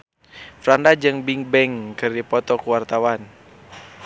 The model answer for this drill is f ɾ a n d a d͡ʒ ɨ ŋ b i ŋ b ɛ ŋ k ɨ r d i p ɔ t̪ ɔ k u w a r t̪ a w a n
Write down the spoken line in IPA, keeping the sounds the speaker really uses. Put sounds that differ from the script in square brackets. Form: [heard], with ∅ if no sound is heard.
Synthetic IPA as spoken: f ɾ a n d a d͡ʒ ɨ ŋ b i ŋ b ɛ ŋ k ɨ r d i p ɔ t̪ ɔ k u w a r t̪ a w a n